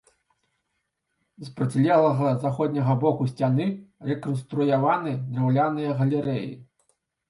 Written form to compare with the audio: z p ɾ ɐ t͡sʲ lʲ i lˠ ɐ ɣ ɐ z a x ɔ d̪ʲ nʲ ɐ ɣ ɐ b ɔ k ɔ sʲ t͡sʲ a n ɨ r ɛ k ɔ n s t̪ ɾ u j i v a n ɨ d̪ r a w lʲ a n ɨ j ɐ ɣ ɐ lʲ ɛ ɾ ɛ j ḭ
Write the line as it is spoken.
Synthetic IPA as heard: z p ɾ ɐ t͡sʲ lʲ ɛ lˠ ɐ ɣ ɐ z a x ɔ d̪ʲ nʲ ɐ ɣ ɐ b ɔ k u sʲ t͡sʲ a n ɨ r ɛ k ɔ n s t̪ ɾ u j a v a n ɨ d̪ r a w lʲ a n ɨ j ɐ ɣ ɐ lʲ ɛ ɾ ɛ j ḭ